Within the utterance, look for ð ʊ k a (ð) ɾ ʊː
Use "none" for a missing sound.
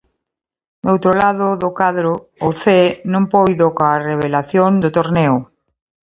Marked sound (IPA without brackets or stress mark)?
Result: ð